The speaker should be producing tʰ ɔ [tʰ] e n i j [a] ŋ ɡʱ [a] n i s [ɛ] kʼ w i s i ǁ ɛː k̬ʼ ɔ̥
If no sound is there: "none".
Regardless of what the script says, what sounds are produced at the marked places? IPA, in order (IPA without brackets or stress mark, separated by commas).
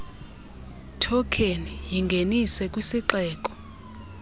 kʰ, i, e, ɛ